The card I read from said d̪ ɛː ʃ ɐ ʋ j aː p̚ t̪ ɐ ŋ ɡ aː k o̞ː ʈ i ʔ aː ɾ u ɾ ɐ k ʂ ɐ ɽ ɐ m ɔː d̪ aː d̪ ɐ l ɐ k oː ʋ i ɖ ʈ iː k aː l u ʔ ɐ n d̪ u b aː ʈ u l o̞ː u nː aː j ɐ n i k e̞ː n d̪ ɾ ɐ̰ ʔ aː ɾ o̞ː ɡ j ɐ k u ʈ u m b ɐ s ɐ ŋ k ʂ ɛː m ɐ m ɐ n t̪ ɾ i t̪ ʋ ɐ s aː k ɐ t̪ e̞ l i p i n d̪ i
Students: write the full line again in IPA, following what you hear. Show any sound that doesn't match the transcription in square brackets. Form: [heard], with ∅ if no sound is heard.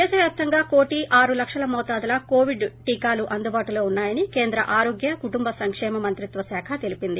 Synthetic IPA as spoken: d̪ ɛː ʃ ɐ ʋ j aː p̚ t̪ ɐ ŋ ɡ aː k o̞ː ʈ i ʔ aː ɾ u [l] ɐ k ʂ ɐ [l] ɐ m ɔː [t̪] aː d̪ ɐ l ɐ k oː ʋ i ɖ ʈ iː k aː l u ʔ ɐ n d̪ u b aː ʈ u l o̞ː u nː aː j ɐ n i k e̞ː n d̪ ɾ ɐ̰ ʔ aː ɾ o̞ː ɡ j ɐ k u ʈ u m b ɐ s ɐ ŋ k ʂ ɛː m ɐ m ɐ n t̪ ɾ i t̪ ʋ ɐ s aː [kʰ] ɐ t̪ e̞ l i p i n d̪ i